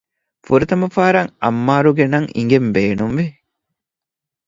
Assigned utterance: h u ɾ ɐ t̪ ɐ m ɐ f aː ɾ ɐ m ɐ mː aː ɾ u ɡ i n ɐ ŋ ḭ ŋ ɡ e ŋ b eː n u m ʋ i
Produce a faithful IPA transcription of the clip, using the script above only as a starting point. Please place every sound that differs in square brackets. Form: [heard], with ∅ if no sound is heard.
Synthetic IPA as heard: [f] u ɾ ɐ t̪ ɐ m ɐ f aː ɾ ɐ [ŋ] ɐ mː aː ɾ u ɡ [e] n ɐ ŋ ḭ ŋ ɡ e [m] b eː n u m ʋ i